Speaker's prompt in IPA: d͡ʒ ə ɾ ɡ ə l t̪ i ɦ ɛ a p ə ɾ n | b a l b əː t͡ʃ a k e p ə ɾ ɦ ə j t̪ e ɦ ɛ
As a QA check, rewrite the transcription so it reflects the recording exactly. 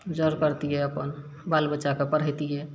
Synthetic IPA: d͡ʒ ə ɾ k ə ɾ t̪ i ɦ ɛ ə p ə n | b a l b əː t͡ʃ a k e p ə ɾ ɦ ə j t̪ i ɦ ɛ